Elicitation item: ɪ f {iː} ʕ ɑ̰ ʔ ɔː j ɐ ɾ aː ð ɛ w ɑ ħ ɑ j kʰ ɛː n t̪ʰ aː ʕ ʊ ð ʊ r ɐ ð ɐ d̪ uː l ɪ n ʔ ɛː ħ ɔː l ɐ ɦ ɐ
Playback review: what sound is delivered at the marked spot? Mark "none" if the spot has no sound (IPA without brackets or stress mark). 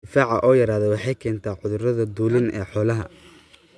aː